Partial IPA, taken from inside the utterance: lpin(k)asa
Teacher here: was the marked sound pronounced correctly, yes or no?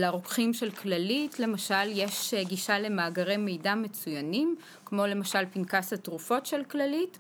yes